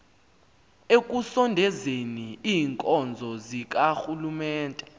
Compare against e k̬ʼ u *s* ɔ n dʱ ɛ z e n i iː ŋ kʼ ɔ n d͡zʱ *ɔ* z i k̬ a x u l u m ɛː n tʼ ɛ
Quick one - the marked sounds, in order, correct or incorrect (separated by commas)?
correct, correct